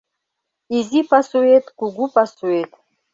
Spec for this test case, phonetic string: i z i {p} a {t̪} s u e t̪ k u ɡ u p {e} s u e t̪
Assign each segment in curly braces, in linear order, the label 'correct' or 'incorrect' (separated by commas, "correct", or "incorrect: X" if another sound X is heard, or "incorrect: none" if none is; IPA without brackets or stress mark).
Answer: correct, incorrect: none, incorrect: a